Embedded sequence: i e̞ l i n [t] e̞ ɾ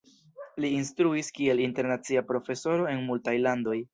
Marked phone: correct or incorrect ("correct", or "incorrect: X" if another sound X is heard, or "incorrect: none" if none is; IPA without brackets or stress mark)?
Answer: correct